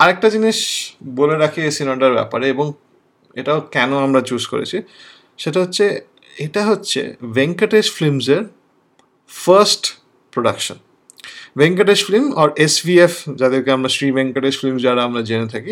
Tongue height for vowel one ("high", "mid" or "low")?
low